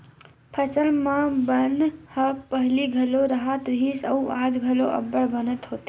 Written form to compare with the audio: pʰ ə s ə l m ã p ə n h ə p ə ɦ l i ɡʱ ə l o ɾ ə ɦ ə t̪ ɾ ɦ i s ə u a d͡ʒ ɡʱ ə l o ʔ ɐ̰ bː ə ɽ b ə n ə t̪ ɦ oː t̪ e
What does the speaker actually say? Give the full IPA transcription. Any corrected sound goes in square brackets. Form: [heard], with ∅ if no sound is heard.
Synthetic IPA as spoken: pʰ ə s ə l m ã [b] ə n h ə p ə ɦ l i ɡʱ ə l o ɾ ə ɦ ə t̪ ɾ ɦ i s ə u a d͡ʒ ɡʱ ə l o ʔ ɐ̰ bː ə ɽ b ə n ə t̪ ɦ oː t̪ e